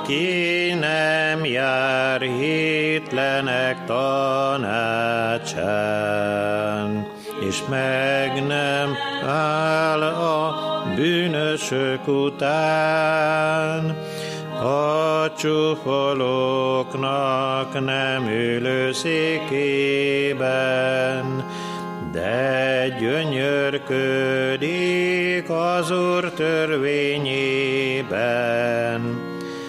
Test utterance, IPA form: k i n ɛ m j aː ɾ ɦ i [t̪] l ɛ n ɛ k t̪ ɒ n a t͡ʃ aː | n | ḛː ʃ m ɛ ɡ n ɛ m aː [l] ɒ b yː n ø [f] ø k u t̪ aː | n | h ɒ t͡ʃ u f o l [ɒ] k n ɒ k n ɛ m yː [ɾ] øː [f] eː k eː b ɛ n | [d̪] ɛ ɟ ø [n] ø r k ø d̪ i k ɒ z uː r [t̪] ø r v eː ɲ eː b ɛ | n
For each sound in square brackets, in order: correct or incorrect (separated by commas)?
correct, correct, incorrect, incorrect, incorrect, incorrect, correct, incorrect, correct